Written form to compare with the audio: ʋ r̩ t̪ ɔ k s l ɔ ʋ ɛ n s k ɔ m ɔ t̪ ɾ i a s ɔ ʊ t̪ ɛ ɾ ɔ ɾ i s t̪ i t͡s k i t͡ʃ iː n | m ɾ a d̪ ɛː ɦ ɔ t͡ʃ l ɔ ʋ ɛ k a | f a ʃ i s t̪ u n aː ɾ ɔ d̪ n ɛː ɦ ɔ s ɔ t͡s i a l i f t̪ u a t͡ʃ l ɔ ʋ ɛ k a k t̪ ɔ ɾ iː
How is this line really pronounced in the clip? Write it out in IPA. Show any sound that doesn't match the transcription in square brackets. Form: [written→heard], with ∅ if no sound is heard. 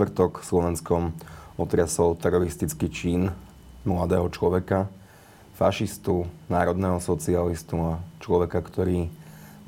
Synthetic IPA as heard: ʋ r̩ t̪ ɔ k s l ɔ ʋ ɛ n s k ɔ m ɔ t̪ ɾ [i→ɪ] a s ɔ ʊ t̪ ɛ ɾ ɔ ɾ i s t̪ i t͡s k i t͡ʃ iː n | m [ɾ→l] a d̪ ɛː ɦ ɔ t͡ʃ l ɔ ʋ ɛ k a | f a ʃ i s t̪ u n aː ɾ ɔ d̪ n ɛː ɦ ɔ s ɔ t͡s i a l i [f→s] t̪ u a t͡ʃ l ɔ ʋ ɛ k a k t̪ ɔ ɾ iː